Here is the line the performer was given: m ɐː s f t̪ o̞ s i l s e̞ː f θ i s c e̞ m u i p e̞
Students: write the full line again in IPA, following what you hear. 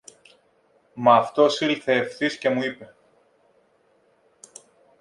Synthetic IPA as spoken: m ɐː f t̪ o̞ s i l θ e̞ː f θ i s c e̞ m u i p e̞